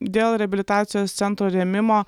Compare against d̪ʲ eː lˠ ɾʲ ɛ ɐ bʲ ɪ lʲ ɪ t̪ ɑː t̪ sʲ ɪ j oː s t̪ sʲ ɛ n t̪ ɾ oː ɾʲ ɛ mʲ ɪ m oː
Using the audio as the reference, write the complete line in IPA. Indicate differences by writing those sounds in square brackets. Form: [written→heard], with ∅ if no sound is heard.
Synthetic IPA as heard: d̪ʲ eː lˠ ɾʲ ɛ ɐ bʲ ɪ lʲ ɪ t̪ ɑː t̪ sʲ ɪ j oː s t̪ sʲ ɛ n t̪ ɾ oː ɾʲ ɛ mʲ ɪ m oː

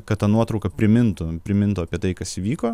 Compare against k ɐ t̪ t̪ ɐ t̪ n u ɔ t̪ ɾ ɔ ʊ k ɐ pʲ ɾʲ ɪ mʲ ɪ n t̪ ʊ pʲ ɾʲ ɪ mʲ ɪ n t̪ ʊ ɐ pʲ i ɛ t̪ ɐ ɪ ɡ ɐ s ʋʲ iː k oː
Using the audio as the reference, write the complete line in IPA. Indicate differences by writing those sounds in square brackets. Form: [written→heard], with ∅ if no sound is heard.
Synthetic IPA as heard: k ɐ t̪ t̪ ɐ [t̪→∅] n u ɔ t̪ ɾ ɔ ʊ k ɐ pʲ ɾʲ ɪ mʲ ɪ n t̪ ʊ pʲ ɾʲ ɪ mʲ ɪ n t̪ ʊ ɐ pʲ i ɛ t̪ ɐ ɪ [ɡ→k] ɐ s ʋʲ iː k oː

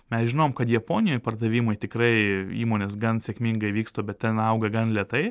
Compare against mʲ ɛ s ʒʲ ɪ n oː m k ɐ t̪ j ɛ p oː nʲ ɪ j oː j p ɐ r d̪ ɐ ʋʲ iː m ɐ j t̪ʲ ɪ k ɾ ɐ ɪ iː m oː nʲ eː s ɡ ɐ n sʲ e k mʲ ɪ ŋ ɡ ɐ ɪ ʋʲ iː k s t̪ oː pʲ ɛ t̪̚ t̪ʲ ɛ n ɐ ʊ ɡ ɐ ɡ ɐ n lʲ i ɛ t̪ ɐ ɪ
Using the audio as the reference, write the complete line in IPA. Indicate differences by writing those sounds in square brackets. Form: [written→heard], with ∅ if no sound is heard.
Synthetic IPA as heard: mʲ ɛ s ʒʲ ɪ n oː m k ɐ t̪ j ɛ p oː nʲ ɪ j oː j p ɐ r d̪ ɐ ʋʲ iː m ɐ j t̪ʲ ɪ k ɾ ɐ ɪ iː m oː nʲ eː s ɡ ɐ n sʲ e k mʲ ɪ ŋ ɡ ɐ ɪ ʋʲ iː k s t̪ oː [pʲ→bʲ] ɛ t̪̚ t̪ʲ ɛ n ɐ ʊ ɡ ɐ ɡ ɐ n lʲ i ɛ t̪ ɐ ɪ

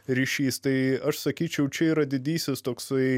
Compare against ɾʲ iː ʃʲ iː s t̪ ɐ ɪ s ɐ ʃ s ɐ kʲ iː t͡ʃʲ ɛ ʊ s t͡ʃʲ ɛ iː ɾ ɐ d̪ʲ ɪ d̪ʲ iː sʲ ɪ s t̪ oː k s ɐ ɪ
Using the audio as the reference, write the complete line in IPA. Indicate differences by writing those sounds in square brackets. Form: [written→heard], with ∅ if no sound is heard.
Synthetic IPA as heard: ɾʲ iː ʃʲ iː s t̪ ɐ ɪ [s→∅] ɐ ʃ s ɐ kʲ iː t͡ʃʲ ɛ ʊ [s→∅] t͡ʃʲ ɛ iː ɾ ɐ d̪ʲ ɪ d̪ʲ iː sʲ ɪ s t̪ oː k s ɐ ɪ

